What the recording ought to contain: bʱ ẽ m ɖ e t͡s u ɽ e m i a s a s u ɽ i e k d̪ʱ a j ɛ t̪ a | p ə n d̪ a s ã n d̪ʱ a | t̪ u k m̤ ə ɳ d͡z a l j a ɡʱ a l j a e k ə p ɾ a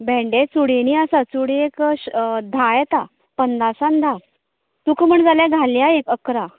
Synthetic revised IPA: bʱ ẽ ɳ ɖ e t͡s u ɽ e n i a s a t͡s u ɽ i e k d̪ʱ a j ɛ t̪ a | p ə n d̪ a s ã n d̪ʱ a | t̪ u k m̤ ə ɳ d͡z a l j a ɡʱ a l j a e k ə k ɾ a